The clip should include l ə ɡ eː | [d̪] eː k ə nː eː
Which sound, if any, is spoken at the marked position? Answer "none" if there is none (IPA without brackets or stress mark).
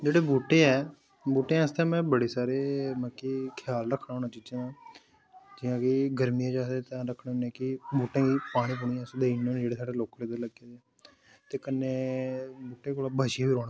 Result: t̪